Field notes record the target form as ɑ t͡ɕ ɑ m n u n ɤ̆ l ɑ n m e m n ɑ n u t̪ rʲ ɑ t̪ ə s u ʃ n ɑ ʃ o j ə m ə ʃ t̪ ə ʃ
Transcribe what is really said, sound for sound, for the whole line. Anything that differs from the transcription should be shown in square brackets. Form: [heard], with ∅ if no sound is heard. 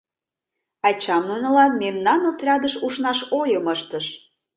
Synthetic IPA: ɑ t͡ɕ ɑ m n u n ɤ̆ l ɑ n m e m n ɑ n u t̪ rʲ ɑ [d̪] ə [ʃ] u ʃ n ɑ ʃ o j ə m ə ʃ t̪ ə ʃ